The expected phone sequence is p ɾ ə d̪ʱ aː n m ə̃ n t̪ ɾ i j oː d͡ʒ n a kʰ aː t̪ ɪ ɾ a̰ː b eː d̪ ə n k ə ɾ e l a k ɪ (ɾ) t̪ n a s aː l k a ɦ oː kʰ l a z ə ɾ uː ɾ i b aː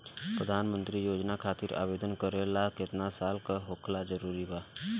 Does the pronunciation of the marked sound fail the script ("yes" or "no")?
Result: yes